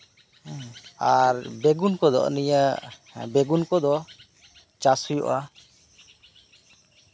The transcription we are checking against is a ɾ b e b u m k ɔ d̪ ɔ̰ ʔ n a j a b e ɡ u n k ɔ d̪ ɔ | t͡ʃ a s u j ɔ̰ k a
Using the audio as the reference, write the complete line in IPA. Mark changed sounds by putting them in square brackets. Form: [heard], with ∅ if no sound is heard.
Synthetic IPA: a ɾ b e [ɡ] u [n] k ɔ d̪ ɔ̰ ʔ n [i] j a b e ɡ u n k ɔ d̪ ɔ | t͡ʃ a s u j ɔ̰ [ʔ] a